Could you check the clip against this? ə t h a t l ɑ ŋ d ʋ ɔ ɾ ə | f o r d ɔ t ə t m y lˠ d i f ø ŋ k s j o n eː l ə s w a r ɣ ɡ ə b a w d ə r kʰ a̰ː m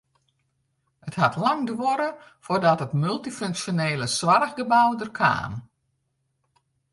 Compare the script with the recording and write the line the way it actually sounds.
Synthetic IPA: ə t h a t l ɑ ŋ d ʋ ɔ ɾ ə | f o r d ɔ t ə t m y lˠ t i f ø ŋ k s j o n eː l ə s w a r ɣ ɡ ə b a w d ə r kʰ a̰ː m